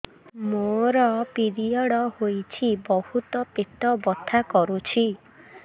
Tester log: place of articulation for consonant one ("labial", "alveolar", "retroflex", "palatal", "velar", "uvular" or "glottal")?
labial